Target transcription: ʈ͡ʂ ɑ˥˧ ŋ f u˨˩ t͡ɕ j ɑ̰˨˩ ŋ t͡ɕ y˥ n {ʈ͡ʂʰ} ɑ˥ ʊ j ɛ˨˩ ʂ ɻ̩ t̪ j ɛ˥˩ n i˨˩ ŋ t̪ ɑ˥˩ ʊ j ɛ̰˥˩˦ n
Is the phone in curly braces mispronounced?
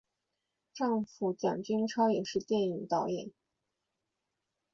no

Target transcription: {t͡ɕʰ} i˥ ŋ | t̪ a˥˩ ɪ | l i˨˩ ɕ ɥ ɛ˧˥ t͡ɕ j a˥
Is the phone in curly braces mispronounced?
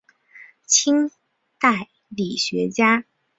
no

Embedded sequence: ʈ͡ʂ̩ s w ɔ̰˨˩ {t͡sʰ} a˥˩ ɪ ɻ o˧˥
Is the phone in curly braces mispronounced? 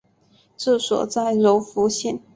yes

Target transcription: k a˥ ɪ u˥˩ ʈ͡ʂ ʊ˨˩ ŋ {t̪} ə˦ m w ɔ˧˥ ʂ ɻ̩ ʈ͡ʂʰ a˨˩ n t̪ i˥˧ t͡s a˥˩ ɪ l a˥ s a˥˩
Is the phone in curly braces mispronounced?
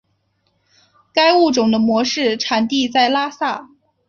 yes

